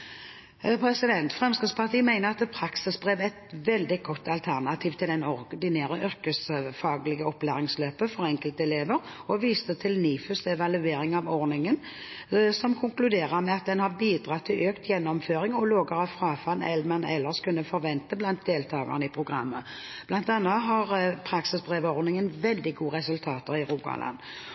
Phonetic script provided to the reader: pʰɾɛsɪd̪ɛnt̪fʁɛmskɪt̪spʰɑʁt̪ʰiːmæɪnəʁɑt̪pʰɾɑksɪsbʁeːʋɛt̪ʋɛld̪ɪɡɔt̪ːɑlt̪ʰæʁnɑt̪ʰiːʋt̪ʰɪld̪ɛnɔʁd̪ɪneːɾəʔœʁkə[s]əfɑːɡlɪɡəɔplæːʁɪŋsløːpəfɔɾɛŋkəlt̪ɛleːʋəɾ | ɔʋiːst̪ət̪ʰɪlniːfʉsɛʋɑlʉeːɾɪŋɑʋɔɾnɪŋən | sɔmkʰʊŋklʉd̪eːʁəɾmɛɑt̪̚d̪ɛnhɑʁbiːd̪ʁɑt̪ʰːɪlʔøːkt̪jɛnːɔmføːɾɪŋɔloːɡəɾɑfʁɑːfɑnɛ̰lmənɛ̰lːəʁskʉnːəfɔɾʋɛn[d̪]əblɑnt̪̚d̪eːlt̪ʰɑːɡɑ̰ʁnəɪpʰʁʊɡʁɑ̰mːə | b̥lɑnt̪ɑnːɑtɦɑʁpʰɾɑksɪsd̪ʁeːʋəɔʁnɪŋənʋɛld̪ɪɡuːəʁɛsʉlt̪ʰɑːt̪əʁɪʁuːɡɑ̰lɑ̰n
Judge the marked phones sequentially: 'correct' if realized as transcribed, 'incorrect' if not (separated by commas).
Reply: correct, incorrect